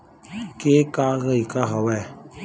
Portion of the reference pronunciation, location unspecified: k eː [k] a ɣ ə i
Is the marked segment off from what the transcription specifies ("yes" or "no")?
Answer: no